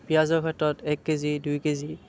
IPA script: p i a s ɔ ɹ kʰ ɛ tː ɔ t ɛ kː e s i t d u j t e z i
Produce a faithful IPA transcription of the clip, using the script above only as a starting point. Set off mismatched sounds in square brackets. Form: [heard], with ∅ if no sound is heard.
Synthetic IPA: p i a [z] ɔ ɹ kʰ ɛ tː ɔ t ɛ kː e [z] i [∅] d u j [k] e z i